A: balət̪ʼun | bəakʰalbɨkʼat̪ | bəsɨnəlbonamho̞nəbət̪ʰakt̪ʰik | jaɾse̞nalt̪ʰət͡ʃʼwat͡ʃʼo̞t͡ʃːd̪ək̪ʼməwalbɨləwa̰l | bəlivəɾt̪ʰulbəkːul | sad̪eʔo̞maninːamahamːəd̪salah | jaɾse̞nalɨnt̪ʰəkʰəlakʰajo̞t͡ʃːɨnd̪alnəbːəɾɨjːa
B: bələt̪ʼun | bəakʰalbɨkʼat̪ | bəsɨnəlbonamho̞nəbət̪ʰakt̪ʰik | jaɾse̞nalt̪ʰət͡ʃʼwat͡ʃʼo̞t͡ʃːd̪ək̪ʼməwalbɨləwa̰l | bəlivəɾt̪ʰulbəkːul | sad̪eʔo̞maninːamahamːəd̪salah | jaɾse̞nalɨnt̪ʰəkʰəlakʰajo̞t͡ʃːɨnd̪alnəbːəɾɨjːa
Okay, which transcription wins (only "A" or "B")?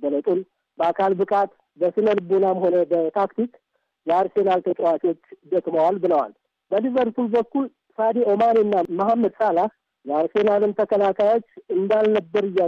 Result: B